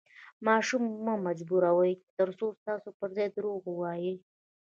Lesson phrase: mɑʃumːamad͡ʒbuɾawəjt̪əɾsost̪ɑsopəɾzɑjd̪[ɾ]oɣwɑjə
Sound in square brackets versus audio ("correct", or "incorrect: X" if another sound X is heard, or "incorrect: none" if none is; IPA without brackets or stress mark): correct